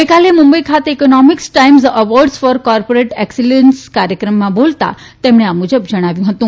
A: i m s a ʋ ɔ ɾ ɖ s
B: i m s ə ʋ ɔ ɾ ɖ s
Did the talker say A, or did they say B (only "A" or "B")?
B